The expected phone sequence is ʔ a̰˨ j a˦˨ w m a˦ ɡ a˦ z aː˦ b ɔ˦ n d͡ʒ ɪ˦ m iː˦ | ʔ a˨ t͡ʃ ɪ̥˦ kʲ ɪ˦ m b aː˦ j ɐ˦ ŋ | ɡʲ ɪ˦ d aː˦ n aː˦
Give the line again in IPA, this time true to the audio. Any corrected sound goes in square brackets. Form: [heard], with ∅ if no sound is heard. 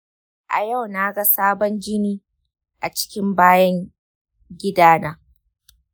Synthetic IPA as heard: ʔ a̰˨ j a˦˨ w [n] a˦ ɡ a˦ [s] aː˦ b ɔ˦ n d͡ʒ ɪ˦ [n] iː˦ | ʔ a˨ t͡ʃ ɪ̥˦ kʲ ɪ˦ m b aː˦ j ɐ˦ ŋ | ɡʲ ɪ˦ d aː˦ n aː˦